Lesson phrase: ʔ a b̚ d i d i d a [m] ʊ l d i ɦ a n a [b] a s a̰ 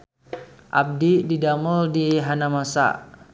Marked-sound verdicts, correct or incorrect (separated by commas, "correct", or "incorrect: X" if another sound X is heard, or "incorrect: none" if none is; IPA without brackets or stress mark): correct, incorrect: m